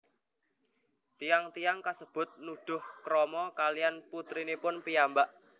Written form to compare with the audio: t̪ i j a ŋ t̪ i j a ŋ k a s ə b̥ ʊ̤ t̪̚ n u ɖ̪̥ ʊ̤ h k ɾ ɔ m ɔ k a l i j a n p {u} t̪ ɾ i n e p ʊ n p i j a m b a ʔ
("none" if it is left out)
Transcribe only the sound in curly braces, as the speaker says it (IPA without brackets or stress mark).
u